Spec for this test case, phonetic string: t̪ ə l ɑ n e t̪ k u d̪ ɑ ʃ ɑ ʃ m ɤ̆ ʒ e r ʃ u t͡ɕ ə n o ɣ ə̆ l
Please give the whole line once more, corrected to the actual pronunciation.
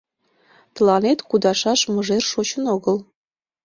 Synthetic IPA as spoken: t̪ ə l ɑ n e t̪ k u d̪ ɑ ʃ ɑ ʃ m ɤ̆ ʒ e r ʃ o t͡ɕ ə n o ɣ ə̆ l